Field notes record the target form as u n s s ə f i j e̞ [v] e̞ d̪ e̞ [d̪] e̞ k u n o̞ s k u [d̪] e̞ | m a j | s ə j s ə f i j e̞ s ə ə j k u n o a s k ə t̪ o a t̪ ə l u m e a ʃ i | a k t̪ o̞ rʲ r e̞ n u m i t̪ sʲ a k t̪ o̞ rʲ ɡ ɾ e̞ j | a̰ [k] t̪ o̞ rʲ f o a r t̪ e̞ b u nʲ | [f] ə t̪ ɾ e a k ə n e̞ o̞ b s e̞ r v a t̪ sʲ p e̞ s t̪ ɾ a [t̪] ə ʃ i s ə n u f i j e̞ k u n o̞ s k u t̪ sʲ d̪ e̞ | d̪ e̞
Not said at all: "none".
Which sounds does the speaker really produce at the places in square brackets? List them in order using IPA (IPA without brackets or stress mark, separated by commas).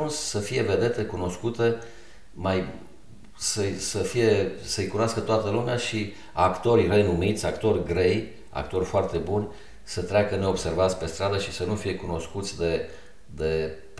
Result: v, t̪, t̪, k, s, d̪